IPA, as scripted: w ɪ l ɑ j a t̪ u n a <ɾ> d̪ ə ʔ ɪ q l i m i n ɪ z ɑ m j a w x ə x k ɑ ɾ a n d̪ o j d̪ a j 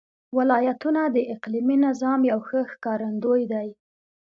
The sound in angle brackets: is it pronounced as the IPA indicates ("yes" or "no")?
no